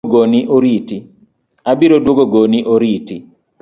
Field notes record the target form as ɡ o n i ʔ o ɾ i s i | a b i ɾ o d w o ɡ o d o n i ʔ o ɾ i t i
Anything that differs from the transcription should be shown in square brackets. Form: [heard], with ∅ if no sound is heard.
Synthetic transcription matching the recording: ɡ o n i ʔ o ɾ i [t] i | a b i ɾ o d w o ɡ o [ɡ] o n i ʔ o ɾ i t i